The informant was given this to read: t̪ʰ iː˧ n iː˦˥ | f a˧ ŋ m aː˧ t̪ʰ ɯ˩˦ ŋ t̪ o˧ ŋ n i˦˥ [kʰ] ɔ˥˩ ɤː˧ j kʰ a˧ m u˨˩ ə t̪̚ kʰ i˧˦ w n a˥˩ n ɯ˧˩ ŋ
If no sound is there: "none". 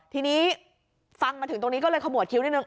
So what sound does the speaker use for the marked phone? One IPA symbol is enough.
k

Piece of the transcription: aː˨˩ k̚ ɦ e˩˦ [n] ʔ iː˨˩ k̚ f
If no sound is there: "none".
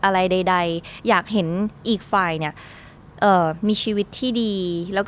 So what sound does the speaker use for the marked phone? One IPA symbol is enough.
n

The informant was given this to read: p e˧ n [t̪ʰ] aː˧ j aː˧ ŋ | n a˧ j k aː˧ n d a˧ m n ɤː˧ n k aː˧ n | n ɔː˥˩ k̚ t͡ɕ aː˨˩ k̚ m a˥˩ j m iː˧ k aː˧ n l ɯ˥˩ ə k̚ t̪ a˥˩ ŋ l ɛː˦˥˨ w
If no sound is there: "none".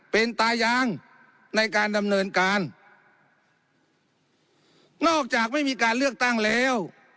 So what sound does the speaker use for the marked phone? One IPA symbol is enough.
t̪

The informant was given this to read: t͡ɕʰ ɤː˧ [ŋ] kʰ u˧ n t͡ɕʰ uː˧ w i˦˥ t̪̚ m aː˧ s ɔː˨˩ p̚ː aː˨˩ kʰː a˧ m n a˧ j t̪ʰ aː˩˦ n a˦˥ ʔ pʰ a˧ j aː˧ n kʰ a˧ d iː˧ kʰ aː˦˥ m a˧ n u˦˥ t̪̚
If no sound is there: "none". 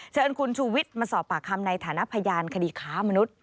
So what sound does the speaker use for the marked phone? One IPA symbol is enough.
n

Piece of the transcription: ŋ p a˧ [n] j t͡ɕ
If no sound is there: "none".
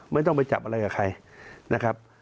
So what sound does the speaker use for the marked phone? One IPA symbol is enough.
none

